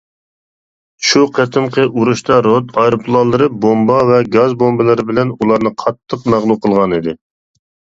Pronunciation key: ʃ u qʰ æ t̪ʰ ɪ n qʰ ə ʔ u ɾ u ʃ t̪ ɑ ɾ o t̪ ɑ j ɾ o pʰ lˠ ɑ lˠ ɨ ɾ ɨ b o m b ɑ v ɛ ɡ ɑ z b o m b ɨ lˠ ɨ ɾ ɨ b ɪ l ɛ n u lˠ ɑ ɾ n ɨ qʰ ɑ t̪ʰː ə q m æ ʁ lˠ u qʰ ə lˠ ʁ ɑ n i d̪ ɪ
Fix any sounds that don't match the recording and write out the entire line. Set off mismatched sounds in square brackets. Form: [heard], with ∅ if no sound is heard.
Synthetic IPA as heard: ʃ u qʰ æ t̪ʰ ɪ [m] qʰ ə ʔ u ɾ u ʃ t̪ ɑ ɾ o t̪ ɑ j ɾ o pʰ lˠ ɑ lˠ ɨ ɾ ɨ b o m b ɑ v ɛ ɡ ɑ z b o m b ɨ lˠ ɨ ɾ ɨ b ɪ l ɛ n u lˠ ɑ ɾ n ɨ qʰ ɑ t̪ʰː ə q m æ ʁ lˠ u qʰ ə lˠ ʁ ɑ n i d̪ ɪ